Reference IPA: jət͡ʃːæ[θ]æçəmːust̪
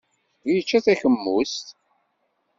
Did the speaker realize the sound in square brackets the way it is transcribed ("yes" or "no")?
yes